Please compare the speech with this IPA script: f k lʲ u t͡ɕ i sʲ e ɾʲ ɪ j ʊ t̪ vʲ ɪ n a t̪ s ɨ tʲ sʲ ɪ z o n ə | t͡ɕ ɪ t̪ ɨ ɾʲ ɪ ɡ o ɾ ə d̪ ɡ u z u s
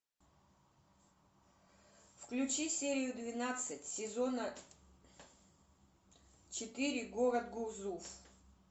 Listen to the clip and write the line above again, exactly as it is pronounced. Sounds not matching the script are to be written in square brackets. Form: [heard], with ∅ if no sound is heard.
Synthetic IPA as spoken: f k lʲ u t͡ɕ i sʲ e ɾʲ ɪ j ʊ [d̪] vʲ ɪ n a t̪ s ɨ tʲ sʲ ɪ z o n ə | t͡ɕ ɪ t̪ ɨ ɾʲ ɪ ɡ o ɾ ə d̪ ɡ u z u [f]